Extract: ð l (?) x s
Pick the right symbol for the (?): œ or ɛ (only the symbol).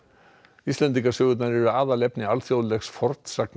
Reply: ɛ